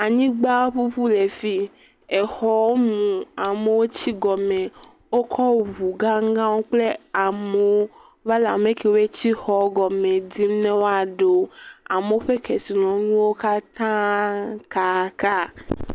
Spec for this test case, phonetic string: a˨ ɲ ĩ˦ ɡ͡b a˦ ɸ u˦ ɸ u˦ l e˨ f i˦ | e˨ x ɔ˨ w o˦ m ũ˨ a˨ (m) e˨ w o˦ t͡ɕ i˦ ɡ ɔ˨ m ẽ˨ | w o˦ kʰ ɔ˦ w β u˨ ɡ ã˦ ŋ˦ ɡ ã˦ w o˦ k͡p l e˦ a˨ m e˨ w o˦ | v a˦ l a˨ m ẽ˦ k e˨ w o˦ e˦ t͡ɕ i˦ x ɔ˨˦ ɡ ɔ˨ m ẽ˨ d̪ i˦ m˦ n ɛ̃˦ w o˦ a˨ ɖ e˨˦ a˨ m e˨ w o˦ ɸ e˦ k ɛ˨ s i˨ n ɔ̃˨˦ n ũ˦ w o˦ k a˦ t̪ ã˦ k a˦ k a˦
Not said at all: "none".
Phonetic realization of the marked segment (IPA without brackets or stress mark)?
m